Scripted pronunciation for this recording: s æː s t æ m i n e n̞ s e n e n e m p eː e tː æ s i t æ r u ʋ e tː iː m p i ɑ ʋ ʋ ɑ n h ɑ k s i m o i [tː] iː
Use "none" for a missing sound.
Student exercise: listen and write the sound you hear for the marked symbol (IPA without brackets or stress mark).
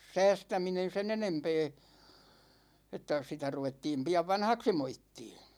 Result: tː